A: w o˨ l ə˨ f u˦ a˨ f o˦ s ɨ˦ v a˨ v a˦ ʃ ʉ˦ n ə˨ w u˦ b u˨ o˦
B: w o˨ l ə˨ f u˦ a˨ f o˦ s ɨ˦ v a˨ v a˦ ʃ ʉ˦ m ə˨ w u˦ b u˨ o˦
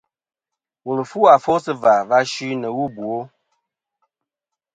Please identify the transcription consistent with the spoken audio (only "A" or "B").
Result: A